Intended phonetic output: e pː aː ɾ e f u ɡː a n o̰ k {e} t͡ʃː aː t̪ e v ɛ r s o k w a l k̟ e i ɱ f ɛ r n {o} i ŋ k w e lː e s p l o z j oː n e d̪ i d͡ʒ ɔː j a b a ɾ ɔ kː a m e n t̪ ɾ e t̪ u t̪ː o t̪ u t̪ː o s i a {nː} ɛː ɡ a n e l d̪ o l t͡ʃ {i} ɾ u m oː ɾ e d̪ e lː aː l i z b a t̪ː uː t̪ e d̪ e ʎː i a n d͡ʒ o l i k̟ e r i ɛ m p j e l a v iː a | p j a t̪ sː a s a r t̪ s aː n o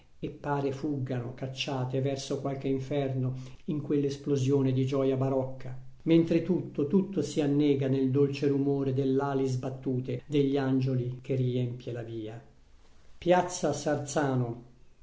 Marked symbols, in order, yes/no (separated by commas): no, yes, yes, no